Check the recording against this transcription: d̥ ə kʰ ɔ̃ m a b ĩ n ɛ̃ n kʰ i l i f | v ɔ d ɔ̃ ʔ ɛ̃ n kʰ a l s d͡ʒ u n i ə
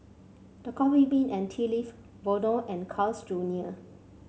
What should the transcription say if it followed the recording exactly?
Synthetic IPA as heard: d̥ ə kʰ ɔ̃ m i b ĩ n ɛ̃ n tʰ i l i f | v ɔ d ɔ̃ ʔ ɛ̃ n kʰ a l s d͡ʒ u n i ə